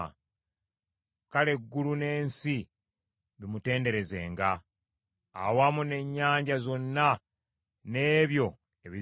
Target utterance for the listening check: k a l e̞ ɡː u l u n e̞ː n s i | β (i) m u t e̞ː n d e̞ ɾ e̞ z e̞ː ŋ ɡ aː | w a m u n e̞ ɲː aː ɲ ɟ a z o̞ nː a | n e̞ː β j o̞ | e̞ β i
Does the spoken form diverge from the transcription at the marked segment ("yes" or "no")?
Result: no